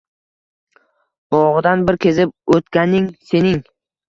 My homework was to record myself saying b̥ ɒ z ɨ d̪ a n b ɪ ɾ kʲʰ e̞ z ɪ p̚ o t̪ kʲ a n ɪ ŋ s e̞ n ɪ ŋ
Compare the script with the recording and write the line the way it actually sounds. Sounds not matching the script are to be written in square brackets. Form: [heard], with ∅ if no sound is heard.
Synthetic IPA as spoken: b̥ ɒ [ʁ] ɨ d̪ a n b ɪ ɾ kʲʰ e̞ z ɪ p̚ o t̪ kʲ a n ɪ ŋ s e̞ n ɪ ŋ